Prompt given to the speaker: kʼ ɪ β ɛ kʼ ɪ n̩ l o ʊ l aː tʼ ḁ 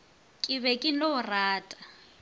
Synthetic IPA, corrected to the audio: kʼ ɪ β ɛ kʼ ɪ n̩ l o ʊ r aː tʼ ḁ